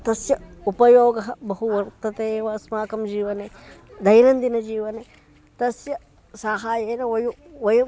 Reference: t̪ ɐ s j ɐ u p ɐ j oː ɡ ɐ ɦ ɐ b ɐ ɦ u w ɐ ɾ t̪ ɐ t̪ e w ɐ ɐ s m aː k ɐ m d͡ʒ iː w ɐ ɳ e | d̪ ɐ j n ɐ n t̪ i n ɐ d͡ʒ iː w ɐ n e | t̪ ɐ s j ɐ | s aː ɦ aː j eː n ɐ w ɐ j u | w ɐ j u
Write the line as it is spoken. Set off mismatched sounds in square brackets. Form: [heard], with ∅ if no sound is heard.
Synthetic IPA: t̪ ɐ s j ɐ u p ɐ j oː ɡ ɐ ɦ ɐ b ɐ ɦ u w ɐ ɾ t̪ ɐ t̪ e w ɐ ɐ s m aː k ɐ m d͡ʒ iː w ɐ [n] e | d̪ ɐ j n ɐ n [d̪] i n ɐ d͡ʒ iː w ɐ n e | t̪ ɐ s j ɐ | s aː ɦ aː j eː n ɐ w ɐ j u | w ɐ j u